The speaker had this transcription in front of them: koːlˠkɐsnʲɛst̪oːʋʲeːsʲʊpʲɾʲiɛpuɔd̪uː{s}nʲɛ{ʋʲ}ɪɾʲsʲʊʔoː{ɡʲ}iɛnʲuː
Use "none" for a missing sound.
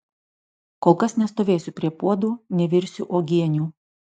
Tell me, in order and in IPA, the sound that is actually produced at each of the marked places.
none, ʋʲ, ɡʲ

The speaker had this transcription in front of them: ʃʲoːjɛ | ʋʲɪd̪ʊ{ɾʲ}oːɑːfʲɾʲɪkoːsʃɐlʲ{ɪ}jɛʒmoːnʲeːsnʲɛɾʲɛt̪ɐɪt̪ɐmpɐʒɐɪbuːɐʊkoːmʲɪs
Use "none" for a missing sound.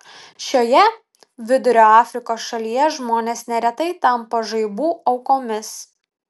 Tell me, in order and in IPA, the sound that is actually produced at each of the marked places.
ɾʲ, i

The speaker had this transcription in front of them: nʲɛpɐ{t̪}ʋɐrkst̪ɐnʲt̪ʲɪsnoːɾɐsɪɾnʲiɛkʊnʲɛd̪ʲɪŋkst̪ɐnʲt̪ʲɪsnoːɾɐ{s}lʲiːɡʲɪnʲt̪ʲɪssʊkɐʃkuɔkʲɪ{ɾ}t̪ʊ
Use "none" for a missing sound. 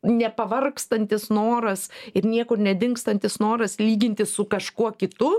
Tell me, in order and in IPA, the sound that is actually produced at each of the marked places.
none, s, none

